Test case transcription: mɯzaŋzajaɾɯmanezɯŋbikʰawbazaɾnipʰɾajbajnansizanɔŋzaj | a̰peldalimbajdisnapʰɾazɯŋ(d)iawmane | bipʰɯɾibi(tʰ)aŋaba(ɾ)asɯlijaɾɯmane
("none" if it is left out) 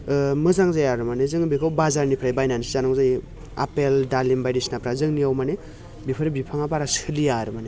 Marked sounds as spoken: n, pʰ, ɾ

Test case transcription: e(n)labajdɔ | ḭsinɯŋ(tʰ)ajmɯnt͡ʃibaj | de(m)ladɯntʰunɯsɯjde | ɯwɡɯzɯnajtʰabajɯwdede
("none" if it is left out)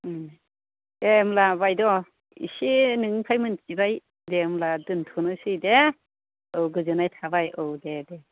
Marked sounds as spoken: m, pʰ, m

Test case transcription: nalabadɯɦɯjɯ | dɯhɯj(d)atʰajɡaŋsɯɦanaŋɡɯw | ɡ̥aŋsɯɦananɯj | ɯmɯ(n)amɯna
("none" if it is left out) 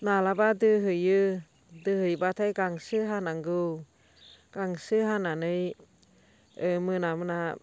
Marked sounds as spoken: b, n

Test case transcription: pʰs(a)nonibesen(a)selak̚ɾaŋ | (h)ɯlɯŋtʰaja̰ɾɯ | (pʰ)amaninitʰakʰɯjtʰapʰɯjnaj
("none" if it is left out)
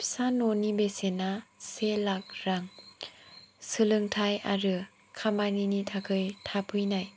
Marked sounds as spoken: a, a, s, kʰ

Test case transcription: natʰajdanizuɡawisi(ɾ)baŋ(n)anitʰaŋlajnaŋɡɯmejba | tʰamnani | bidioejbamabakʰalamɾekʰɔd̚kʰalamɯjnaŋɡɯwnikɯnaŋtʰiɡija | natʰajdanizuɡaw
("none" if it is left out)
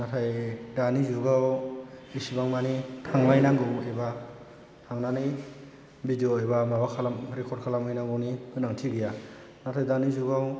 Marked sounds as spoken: none, m

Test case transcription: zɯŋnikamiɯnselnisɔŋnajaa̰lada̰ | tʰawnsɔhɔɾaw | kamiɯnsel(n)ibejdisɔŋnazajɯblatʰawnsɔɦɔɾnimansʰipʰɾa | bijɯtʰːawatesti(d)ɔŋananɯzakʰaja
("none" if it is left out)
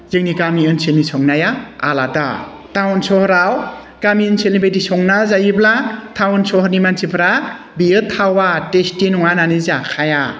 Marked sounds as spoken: n, n

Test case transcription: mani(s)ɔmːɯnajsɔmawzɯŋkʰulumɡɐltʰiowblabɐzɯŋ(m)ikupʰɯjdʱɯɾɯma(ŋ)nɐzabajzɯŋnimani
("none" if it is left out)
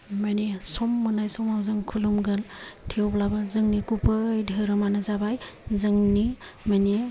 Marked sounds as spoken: s, n, none

